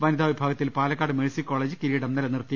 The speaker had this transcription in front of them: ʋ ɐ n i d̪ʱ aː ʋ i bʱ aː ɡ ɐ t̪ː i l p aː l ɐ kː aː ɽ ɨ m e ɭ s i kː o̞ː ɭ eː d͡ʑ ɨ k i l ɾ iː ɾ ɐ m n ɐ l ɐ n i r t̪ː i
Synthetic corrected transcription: ʋ ɐ n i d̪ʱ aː ʋ i bʱ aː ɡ ɐ t̪ː i l p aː l ɐ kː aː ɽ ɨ m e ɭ s i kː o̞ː ɭ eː d͡ʑ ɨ k i ɾ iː ɽ ɐ m n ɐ l ɐ n i r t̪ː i

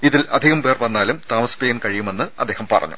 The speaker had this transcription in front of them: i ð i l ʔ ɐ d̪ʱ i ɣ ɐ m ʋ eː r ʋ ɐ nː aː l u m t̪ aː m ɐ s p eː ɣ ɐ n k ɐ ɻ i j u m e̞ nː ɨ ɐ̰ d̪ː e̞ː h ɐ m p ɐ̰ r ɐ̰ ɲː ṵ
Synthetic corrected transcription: i ð i l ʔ ɐ d̪ʱ i ɣ ɐ m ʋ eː r ʋ ɐ nː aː l u m t̪ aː m ɐ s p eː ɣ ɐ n k ɐ ɻ i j u m e̞ nː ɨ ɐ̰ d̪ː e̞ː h ɐ m p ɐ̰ r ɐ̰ ɲː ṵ

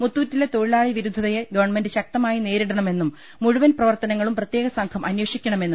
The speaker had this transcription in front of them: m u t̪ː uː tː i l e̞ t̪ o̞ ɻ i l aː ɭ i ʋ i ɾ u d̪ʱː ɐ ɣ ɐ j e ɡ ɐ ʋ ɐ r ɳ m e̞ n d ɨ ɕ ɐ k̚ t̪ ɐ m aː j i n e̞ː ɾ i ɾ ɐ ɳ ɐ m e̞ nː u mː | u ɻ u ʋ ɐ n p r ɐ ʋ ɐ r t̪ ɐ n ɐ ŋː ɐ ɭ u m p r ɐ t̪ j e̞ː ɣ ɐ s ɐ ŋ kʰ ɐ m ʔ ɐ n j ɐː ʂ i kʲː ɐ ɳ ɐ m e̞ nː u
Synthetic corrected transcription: m u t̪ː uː tː i l e̞ t̪ o̞ ɻ i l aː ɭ i ʋ i ɾ u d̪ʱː ɐ ð ɐ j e ɡ ɐ ʋ ɐ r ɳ m e̞ n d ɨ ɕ ɐ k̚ t̪ ɐ m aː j i n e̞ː ɾ i ɽ ɐ ɳ ɐ m e̞ nː u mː | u ɻ u ʋ ɐ n p r ɐ ʋ ɐ r t̪ ɐ n ɐ ŋː ɐ ɭ u m p r ɐ t̪ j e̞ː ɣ ɐ s ɐ ŋ kʰ ɐ m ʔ ɐ n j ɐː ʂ i kʲː ɐ ɳ ɐ m e̞ nː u

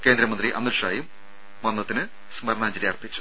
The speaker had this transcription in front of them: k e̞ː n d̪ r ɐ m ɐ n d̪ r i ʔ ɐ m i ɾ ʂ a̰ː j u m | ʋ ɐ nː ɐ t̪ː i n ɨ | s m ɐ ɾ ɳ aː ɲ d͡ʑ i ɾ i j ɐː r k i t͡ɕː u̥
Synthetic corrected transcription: k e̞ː n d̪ ɾ ɐ m ɐ n d̪ r i ʔ ɐ m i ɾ ʂ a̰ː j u m | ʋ ɐ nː ɐ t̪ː i n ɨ | s m ɐ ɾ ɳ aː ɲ d͡ʑ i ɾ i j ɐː r p i t͡ɕː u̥

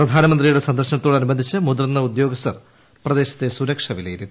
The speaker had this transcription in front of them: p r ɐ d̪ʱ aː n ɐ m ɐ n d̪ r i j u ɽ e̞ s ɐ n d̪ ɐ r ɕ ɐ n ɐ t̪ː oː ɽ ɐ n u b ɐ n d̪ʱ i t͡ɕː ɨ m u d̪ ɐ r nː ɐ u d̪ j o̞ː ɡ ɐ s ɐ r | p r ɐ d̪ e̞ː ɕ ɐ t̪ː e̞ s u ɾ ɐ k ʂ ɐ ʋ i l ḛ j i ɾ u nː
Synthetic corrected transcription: p r ɐ d̪ʱ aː n ɐ m ɐ n d̪ r i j u ɽ e̞ s ɐ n d̪ ɐ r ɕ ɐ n ɐ t̪ː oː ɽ ɐ n u b ɐ n d̪ʱ i t͡ɕː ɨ m u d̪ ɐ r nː ɐ u d̪ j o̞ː ɡ ɐ s ɐ r | p r ɐ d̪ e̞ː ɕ ɐ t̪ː e̞ s u ɾ ɐ k ʂ ɐ ʋ i l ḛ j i ɾ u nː

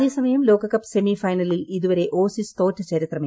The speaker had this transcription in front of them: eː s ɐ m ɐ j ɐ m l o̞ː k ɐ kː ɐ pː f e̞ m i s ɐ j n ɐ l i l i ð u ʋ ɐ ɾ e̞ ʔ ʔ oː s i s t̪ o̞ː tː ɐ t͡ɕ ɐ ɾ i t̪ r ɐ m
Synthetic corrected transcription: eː s ɐ m ɐ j ɐ m l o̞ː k ɐ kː ɐ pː s e̞ m i f ɐ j n ɐ l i l i ð u ʋ ɐ ɾ e̞ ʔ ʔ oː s i s t̪ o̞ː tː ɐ t͡ɕ ɐ ɾ i t̪ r ɐ m

